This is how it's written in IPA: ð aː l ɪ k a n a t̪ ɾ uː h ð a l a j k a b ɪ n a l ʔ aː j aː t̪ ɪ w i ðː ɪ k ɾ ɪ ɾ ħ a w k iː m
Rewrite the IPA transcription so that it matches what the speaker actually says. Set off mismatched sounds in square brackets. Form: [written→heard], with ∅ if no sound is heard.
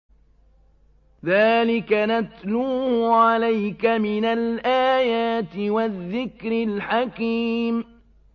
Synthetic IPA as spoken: ð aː l ɪ k a n a t̪ [ɾ→l] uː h [ð→ʕ] a l a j k a [b→m] ɪ n a l ʔ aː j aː t̪ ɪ w [i→a] ðː ɪ k ɾ ɪ [ɾ→l] ħ a [w→∅] k iː m